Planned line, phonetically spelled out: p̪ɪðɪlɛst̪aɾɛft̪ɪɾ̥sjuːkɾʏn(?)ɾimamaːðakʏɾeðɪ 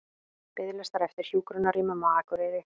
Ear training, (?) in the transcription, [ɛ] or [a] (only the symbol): a